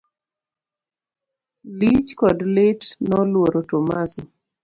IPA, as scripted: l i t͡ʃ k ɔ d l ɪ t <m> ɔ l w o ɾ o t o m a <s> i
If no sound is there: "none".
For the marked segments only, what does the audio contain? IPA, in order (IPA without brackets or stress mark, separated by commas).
n, s